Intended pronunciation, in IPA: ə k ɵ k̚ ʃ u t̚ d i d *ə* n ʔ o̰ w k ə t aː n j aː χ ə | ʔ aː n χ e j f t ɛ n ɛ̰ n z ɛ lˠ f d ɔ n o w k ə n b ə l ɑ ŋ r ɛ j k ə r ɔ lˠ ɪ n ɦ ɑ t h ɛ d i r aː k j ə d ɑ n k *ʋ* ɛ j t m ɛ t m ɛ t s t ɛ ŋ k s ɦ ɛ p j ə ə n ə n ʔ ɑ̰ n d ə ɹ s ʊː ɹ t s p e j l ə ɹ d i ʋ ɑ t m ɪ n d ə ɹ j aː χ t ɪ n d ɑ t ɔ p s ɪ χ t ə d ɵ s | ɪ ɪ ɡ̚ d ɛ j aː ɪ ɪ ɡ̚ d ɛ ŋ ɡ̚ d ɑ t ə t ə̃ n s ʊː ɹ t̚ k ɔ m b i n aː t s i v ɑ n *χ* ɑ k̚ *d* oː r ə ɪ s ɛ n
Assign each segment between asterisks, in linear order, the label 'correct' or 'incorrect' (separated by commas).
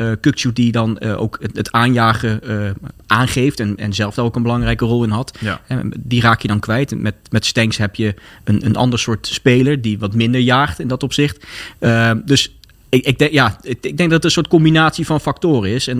incorrect, correct, incorrect, incorrect